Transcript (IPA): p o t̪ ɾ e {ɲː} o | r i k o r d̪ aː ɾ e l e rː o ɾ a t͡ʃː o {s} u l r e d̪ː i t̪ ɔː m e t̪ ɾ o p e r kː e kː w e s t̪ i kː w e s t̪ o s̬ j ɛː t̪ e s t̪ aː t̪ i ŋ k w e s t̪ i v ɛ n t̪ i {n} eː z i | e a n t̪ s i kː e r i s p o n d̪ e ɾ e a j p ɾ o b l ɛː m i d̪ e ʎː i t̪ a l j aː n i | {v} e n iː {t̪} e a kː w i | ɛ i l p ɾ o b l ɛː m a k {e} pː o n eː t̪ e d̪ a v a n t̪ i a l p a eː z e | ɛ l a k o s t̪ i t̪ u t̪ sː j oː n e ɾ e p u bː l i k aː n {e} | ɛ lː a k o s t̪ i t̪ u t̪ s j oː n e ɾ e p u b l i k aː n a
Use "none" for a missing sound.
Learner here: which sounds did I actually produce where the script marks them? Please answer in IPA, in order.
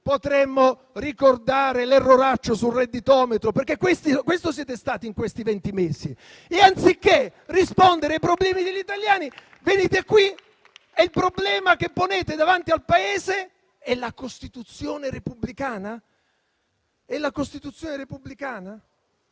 mː, s, m, v, t̪, e, a

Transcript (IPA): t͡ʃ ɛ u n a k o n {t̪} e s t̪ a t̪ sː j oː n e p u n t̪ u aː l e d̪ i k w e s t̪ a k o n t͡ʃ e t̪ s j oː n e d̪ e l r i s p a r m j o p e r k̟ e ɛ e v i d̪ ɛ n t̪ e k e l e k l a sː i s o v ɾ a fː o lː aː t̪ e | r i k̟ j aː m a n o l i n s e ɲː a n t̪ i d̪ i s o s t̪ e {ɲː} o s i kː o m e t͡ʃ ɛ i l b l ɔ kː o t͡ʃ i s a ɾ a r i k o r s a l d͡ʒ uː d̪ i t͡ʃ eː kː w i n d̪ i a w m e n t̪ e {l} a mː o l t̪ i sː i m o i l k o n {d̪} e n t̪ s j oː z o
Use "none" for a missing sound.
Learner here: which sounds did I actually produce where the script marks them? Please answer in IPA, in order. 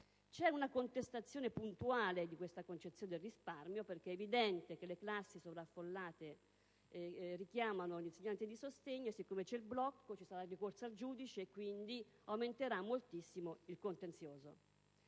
t̪, ɲː, ɾ, t̪

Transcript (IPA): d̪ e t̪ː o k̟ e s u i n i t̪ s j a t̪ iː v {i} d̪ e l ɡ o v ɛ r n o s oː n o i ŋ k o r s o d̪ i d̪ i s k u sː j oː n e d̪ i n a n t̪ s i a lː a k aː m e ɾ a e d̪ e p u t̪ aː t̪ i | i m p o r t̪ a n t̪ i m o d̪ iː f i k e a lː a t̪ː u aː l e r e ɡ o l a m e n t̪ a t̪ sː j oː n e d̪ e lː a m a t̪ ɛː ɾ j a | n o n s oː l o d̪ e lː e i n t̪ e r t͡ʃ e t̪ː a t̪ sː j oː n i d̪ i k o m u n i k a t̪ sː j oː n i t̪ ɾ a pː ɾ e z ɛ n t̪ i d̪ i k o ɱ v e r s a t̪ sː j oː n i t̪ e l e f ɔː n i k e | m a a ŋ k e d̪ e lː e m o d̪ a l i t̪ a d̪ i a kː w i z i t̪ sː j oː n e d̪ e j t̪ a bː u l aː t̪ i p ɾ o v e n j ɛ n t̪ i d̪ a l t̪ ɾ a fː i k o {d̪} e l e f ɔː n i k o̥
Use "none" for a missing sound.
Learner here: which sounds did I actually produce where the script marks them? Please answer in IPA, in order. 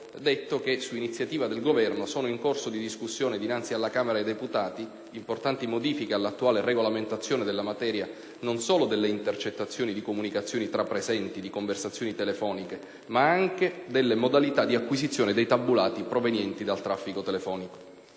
a, t̪

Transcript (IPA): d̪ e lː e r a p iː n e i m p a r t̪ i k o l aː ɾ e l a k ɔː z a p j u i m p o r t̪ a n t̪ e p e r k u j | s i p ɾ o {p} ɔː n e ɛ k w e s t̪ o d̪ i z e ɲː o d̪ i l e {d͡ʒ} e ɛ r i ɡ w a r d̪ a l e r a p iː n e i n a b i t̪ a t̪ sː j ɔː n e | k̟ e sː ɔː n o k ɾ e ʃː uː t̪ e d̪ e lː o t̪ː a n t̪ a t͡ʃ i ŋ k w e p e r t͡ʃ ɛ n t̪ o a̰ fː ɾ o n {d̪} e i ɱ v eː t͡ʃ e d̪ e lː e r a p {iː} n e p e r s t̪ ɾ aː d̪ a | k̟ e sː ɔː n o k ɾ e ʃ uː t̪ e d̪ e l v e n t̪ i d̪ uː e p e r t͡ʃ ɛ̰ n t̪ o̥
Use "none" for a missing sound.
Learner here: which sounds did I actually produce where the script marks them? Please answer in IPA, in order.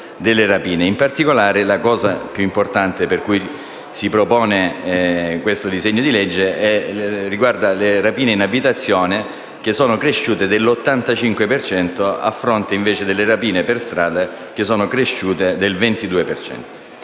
p, d͡ʒː, t̪, iː

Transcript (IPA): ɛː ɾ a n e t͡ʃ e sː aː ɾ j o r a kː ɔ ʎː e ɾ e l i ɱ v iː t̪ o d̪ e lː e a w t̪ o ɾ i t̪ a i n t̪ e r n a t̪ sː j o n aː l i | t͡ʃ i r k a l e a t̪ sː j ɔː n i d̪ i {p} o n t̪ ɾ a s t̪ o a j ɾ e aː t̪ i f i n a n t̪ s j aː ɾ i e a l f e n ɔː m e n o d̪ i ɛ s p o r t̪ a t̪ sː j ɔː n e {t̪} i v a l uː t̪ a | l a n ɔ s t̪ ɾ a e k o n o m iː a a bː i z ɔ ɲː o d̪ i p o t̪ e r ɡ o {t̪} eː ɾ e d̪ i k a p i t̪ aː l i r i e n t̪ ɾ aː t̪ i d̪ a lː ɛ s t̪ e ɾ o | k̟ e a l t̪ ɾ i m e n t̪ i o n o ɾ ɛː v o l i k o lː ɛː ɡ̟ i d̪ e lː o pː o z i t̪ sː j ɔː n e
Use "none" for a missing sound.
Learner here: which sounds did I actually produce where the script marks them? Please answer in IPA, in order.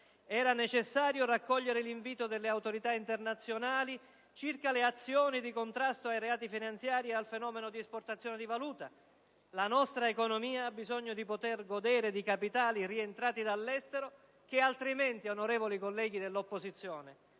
k, d̪, d̪

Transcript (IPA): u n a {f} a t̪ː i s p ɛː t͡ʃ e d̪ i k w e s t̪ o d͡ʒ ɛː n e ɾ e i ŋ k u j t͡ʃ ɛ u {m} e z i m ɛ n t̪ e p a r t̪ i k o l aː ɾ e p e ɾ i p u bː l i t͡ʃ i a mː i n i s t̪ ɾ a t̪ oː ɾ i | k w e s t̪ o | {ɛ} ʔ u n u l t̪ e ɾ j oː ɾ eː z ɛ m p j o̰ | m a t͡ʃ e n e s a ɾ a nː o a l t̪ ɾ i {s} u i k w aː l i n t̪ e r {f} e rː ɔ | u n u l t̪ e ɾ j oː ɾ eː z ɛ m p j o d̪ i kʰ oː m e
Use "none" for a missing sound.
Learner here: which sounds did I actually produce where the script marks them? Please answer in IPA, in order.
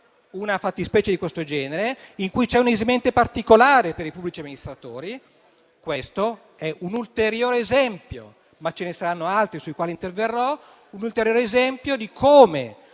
f, n, ɛ, s, v

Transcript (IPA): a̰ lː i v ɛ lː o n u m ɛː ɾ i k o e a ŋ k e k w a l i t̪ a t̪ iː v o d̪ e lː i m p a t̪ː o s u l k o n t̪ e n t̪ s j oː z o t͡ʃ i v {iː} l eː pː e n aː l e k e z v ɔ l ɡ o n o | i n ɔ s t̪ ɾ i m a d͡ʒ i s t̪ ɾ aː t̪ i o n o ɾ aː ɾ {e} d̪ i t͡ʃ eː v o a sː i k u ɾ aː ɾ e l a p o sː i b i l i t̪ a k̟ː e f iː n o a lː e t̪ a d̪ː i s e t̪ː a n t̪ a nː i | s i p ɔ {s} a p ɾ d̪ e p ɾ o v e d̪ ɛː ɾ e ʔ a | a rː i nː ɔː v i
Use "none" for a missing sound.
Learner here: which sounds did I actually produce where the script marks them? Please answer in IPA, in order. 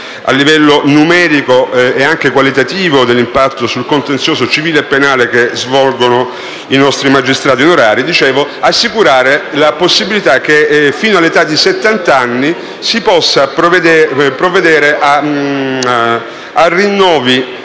iː, i, sː

